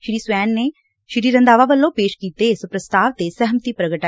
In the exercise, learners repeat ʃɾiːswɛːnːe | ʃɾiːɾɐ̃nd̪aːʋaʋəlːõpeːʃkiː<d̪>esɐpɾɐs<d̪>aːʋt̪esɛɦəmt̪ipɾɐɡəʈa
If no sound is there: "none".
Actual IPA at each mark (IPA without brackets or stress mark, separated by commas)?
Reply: t̪, t̪